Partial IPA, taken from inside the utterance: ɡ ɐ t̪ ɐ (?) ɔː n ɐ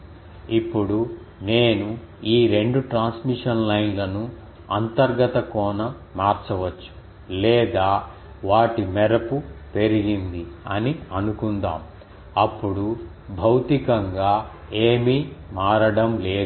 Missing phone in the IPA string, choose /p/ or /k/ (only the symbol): k